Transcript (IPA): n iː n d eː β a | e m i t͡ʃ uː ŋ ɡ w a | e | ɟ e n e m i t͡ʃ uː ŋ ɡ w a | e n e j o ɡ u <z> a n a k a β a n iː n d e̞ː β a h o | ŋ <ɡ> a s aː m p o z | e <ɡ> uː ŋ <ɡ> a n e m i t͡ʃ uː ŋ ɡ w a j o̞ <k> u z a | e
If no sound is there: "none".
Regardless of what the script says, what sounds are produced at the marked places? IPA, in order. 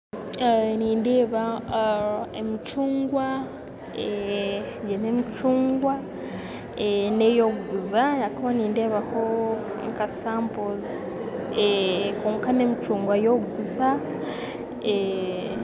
z, k, k, k, ɡ

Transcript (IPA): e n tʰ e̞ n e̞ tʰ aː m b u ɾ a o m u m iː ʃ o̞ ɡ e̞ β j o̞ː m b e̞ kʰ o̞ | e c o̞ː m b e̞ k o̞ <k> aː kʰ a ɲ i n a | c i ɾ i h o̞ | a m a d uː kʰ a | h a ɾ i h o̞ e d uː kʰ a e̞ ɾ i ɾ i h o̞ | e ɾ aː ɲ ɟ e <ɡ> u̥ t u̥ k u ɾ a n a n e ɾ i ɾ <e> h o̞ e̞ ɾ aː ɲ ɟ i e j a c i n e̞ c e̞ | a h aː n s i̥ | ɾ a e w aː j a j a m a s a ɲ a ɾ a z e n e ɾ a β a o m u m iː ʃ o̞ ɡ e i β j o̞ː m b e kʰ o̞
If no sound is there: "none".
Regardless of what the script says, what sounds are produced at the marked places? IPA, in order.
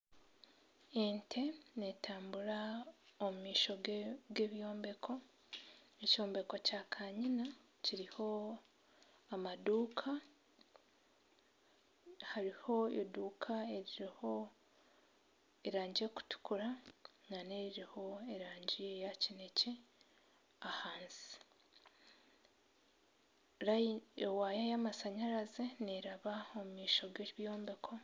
c, k, i

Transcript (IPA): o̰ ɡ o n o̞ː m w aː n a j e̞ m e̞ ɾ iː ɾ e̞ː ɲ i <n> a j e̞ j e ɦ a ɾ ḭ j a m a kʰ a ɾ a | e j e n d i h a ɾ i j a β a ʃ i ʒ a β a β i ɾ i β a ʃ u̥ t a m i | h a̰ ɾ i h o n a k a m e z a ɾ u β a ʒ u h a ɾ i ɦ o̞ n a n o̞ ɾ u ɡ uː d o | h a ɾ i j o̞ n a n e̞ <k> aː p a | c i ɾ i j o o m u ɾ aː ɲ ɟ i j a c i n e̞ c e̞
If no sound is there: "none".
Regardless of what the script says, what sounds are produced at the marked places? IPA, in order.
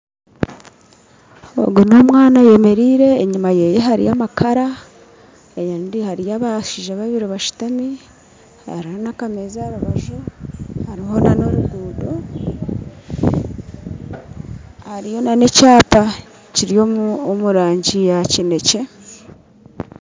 m, c

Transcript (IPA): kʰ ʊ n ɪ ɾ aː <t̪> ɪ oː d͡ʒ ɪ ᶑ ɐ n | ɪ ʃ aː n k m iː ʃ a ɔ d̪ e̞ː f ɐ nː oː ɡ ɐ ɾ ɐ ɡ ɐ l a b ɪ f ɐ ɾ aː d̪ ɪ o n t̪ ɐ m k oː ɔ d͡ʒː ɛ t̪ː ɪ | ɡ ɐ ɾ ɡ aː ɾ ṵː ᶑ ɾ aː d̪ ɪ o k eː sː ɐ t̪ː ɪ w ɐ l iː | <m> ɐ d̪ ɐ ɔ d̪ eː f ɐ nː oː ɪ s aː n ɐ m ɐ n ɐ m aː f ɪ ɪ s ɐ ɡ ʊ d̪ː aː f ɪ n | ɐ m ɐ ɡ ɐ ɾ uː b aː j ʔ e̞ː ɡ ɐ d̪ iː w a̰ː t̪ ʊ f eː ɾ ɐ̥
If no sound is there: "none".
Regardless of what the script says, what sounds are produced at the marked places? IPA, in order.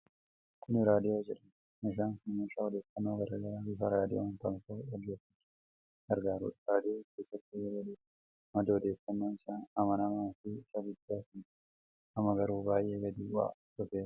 d̪, m

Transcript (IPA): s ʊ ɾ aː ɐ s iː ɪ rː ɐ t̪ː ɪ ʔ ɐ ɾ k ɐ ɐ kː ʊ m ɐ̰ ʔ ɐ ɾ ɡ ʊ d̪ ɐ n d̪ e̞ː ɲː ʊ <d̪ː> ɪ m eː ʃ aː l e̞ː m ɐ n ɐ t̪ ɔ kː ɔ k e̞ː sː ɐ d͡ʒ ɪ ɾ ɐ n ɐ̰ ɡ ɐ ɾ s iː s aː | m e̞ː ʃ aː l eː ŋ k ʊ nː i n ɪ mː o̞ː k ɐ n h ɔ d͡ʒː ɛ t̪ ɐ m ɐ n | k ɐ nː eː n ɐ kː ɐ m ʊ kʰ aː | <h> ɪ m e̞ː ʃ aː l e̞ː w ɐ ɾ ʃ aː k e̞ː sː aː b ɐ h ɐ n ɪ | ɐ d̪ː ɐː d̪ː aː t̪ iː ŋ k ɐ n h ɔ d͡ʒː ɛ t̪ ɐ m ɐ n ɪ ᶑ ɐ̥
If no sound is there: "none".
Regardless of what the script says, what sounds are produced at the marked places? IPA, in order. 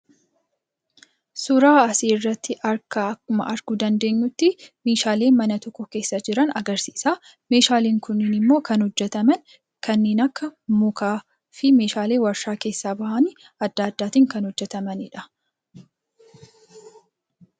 t̪ː, f

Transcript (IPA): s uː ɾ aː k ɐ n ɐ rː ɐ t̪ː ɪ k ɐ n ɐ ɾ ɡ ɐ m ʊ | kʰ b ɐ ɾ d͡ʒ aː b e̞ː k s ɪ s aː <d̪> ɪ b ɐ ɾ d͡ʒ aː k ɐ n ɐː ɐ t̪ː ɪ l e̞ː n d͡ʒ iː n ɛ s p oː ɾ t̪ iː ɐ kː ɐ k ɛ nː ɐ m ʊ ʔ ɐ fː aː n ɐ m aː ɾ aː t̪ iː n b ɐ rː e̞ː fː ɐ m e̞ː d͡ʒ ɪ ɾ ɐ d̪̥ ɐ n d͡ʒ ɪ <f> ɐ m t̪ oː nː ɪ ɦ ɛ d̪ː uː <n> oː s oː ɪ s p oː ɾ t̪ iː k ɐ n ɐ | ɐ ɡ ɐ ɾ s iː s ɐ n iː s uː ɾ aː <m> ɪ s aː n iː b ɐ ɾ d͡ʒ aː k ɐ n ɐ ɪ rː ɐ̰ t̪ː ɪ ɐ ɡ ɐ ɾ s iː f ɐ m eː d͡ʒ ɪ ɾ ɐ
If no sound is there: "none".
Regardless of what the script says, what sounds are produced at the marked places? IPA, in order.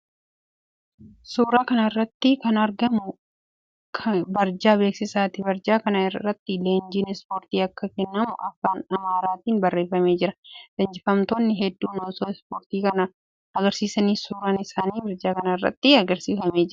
t̪, f, n, n

